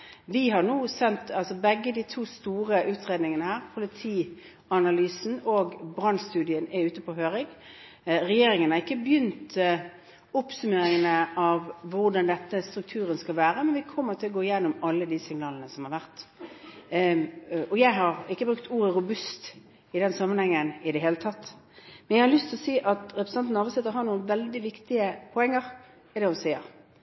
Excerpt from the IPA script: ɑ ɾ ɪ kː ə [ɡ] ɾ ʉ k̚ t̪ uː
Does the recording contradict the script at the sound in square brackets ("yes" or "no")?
yes